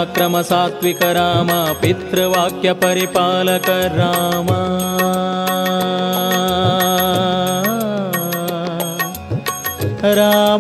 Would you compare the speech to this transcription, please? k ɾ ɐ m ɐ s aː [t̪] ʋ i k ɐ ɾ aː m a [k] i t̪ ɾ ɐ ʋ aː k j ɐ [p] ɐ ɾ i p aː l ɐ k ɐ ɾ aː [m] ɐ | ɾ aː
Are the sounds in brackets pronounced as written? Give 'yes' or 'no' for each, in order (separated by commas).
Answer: yes, no, yes, yes